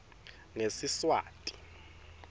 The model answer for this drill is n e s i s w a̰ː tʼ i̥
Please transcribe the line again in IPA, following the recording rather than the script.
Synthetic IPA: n e s i s w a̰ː tʼ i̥